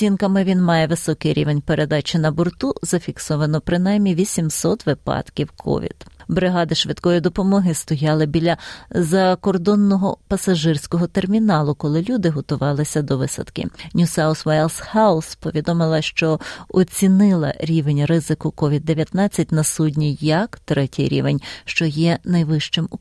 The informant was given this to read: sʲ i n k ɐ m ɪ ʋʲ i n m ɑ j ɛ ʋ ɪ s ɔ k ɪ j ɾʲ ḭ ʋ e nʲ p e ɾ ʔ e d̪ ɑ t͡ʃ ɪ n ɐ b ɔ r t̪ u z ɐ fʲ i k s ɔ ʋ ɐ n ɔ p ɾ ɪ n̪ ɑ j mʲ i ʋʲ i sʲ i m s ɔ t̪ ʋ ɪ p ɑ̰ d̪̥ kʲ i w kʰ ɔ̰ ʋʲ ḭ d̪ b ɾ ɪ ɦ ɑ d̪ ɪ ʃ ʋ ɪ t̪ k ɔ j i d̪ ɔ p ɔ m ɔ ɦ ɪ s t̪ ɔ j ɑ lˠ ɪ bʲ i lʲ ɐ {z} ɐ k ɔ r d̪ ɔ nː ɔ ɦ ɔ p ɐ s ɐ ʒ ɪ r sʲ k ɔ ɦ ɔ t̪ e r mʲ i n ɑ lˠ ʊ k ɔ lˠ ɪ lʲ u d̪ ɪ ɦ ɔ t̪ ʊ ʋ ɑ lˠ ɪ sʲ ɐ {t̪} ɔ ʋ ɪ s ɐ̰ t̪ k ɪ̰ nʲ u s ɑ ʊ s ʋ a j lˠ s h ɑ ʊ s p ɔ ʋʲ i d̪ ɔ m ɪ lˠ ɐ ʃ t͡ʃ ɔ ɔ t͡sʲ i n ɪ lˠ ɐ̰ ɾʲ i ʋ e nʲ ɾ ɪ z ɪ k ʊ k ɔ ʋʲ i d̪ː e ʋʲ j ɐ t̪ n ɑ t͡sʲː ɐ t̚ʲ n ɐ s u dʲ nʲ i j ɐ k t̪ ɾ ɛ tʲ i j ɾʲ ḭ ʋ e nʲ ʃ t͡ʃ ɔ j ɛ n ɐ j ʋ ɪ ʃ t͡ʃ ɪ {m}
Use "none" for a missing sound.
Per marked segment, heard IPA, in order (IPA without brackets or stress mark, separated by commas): z, d̪, m